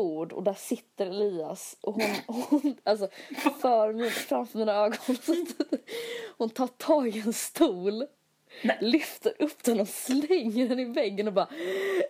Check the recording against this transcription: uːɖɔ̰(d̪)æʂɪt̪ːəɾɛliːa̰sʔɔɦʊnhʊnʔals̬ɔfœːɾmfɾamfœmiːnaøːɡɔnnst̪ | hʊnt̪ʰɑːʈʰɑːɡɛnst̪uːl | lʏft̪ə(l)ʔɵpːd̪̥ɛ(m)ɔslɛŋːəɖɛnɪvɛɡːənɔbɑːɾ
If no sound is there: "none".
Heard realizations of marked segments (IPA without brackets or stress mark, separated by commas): d̪, ɾ, n